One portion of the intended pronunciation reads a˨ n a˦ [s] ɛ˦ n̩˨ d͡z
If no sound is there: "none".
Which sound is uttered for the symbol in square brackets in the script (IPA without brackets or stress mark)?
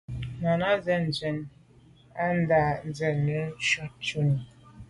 z